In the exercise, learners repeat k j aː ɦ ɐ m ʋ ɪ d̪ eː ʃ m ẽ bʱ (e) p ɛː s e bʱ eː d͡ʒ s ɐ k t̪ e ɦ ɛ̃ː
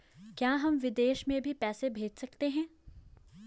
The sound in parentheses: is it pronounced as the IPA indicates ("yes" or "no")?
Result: no